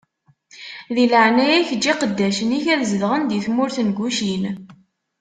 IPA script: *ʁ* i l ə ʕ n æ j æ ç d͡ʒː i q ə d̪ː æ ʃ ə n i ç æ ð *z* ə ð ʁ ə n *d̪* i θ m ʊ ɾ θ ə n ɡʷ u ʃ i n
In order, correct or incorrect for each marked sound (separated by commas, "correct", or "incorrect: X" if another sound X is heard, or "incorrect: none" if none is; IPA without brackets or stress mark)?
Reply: incorrect: ð, correct, correct